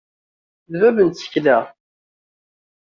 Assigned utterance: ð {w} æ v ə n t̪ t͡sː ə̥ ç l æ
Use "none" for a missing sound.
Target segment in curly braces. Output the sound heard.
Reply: v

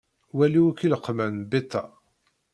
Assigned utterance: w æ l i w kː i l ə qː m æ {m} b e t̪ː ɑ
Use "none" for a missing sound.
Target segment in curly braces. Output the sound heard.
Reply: n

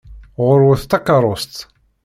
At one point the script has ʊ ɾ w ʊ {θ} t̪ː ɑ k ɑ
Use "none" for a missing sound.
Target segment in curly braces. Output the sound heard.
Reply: θ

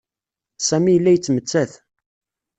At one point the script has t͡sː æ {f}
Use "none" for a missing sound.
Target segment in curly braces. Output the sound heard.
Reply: θ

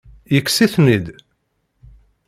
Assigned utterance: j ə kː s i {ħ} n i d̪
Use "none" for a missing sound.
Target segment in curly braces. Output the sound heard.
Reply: θ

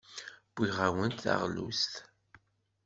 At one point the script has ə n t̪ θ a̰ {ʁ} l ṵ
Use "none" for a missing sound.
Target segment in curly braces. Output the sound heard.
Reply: ʁ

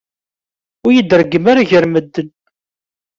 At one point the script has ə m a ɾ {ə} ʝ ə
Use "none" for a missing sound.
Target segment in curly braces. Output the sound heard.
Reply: a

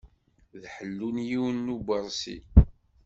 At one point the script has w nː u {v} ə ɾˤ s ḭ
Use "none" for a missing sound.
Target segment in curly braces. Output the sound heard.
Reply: b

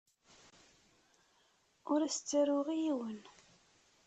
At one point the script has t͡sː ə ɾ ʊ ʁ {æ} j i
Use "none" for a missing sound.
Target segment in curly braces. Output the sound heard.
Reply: i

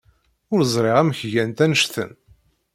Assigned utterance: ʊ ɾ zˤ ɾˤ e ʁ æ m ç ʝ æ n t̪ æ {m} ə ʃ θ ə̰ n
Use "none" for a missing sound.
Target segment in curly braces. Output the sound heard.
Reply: n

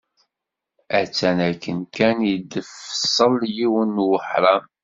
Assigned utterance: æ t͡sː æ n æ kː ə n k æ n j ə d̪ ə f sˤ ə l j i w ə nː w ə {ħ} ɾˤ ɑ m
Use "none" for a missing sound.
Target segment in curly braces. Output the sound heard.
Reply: ħ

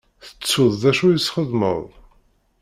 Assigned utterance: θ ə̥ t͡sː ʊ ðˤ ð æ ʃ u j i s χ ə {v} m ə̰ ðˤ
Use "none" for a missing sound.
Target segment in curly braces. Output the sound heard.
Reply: ð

